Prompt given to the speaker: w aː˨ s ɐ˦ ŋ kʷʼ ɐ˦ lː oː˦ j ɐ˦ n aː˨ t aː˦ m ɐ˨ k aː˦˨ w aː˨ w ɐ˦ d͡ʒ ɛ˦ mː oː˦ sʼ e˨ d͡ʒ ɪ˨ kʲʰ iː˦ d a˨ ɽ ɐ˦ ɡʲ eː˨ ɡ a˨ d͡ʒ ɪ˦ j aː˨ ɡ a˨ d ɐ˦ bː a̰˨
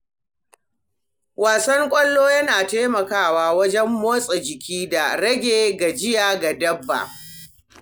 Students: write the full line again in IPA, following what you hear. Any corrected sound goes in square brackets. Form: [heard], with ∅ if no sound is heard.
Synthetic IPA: w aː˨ s ɐ˦ ŋ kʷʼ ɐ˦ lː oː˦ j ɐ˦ n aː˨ t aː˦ m ɐ˨ k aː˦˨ w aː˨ w ɐ˦ d͡ʒ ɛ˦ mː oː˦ sʼ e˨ d͡ʒ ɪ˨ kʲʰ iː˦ d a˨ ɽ ɐ˦ ɡʲ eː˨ ɡ a˨ d͡ʒ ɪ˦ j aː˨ ɡ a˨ d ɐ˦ bː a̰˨